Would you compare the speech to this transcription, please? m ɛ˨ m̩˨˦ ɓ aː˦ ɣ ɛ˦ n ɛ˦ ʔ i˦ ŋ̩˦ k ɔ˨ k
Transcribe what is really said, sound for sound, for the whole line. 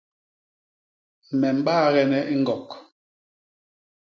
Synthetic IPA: m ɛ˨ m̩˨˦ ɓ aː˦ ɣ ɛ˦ n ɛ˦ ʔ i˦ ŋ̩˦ ɡ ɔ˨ k